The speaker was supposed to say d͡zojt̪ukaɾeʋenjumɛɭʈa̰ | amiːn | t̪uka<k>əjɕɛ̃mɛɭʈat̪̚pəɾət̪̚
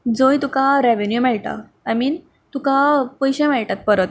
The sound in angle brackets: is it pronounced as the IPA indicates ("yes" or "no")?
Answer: no